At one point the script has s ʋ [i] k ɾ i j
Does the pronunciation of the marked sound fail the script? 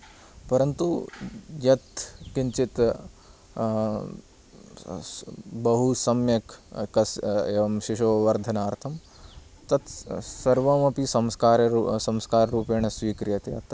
yes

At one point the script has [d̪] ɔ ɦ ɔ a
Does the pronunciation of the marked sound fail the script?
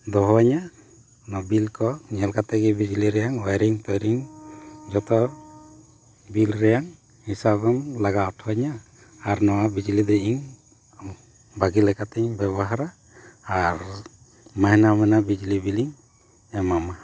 no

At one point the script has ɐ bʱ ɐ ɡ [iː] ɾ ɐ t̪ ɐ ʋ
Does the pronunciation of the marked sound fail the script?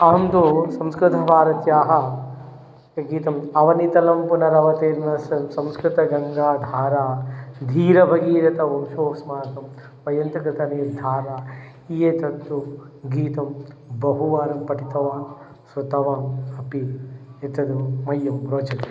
no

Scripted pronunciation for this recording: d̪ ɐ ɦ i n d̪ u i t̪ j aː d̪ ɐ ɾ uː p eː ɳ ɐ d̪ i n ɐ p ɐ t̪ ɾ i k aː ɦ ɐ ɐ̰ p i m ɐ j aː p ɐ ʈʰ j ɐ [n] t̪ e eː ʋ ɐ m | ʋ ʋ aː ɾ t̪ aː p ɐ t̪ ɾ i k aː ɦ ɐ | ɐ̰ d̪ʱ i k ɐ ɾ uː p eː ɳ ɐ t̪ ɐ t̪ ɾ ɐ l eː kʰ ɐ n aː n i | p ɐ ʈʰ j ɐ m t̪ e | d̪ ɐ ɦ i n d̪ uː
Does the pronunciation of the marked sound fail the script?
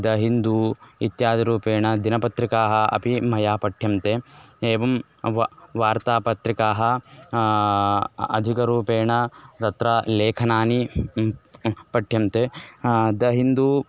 yes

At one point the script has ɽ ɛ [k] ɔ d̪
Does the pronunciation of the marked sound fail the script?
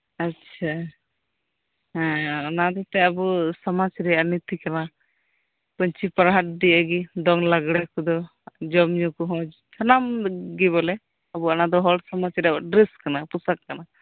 no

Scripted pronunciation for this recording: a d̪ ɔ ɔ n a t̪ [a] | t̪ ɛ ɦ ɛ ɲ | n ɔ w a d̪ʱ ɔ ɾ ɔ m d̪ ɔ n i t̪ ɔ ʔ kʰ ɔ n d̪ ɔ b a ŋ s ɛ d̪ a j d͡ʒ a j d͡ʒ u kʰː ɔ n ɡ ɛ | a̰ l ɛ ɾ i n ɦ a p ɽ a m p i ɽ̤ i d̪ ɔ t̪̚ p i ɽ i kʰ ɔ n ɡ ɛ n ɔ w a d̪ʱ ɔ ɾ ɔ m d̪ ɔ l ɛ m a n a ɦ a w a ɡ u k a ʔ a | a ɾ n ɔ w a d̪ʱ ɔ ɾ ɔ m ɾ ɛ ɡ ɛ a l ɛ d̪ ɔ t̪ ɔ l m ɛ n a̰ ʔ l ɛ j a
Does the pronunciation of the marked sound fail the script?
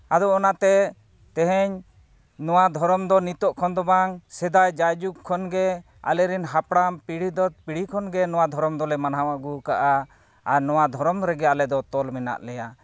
yes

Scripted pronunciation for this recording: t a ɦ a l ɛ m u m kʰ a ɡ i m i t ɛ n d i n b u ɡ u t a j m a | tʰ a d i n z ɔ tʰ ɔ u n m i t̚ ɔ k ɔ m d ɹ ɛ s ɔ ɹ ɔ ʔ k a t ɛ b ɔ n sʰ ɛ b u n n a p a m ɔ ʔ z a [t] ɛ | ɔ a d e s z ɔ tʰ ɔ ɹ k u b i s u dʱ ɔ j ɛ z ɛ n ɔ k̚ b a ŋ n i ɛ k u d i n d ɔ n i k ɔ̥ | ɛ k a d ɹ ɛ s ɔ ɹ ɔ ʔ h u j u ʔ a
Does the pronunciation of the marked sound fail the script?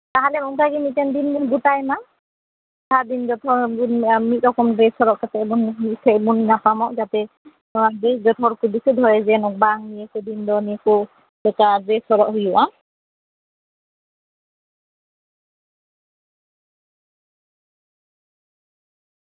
no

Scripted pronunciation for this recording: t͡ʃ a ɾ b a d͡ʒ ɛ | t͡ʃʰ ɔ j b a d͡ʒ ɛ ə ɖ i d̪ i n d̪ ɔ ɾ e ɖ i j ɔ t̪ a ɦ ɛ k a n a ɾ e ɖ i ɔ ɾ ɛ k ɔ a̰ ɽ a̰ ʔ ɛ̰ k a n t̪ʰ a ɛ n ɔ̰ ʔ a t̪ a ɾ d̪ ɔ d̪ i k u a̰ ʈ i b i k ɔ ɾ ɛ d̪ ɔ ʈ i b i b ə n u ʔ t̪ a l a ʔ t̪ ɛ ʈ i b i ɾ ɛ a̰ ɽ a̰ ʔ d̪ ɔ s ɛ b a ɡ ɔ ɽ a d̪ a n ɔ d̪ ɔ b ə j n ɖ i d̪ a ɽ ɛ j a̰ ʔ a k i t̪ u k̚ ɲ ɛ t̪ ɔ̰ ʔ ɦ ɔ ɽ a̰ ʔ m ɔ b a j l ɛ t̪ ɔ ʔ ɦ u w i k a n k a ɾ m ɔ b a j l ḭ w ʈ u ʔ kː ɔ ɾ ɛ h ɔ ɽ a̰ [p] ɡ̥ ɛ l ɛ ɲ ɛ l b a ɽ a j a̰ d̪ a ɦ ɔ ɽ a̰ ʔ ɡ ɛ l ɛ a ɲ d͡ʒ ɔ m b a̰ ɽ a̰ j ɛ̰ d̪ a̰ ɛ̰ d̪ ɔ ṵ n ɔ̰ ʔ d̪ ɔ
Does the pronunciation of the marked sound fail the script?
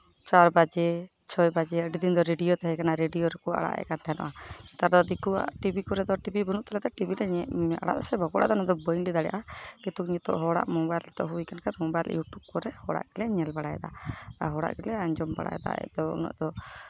yes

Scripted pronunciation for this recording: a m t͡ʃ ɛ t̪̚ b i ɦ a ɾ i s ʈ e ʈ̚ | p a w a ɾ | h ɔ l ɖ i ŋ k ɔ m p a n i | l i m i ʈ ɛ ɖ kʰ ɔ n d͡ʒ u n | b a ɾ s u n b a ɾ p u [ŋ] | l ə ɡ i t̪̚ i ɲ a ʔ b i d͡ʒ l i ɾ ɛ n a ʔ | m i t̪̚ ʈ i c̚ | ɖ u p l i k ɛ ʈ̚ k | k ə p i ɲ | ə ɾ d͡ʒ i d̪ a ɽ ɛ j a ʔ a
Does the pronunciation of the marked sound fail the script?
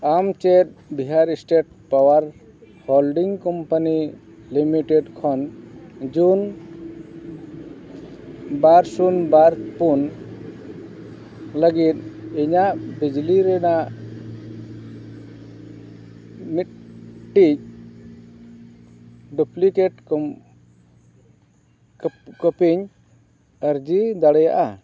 yes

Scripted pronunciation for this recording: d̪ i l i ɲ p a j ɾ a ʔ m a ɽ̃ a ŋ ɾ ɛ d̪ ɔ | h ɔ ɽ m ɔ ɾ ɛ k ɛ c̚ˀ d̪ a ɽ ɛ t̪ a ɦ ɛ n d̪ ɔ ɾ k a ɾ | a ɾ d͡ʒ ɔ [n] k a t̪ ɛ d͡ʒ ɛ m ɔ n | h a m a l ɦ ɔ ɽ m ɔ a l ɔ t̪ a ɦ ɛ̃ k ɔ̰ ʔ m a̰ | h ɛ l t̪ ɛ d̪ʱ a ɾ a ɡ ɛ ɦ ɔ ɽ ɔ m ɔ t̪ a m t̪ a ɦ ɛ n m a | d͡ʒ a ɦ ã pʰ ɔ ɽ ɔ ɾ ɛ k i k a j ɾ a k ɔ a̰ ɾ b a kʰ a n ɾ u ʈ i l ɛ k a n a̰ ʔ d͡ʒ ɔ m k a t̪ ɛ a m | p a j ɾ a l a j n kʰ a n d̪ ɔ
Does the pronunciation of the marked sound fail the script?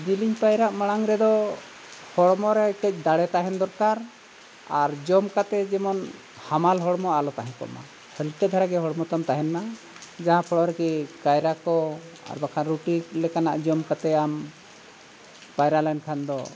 yes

